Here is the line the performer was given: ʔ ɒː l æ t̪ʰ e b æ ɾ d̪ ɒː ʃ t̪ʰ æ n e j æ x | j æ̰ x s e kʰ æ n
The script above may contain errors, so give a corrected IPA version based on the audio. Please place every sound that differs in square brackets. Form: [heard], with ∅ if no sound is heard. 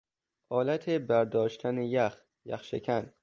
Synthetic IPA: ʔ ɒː l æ t̪ʰ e b æ ɾ d̪ ɒː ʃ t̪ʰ æ n e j æ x | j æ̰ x [ʃ] e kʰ æ n